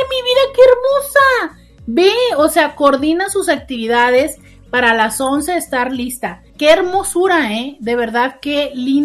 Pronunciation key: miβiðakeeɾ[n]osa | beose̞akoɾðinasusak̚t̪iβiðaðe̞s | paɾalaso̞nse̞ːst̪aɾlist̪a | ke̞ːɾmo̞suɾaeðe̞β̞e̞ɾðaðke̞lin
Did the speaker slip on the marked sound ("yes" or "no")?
yes